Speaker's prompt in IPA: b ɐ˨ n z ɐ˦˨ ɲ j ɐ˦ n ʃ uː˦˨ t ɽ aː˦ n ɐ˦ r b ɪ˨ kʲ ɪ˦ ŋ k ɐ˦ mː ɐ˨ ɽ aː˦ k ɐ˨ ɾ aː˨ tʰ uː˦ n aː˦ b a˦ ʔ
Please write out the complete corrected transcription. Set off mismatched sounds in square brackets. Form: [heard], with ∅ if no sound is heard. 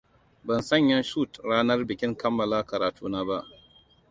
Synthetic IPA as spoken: b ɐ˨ n [s] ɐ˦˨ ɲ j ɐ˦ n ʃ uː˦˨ t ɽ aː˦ n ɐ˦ r b ɪ˨ kʲ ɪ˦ ŋ k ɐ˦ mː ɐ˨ [l] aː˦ k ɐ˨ ɾ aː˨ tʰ uː˦ n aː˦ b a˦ ʔ